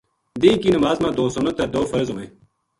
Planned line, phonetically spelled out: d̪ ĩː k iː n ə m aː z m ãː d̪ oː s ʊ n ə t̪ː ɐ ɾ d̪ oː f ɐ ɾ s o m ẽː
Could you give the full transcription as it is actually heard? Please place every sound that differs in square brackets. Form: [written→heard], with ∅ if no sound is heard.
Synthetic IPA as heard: d̪ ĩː k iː n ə m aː z m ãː d̪ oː s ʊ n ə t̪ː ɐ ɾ d̪ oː f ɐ ɾ [s→z] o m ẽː